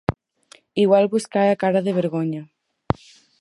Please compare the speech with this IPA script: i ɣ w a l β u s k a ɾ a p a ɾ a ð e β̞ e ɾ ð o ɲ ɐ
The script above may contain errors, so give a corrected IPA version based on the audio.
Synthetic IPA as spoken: i ɣ w a l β u s k a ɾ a k a ɾ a ð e β̞ e ɾ ɣ o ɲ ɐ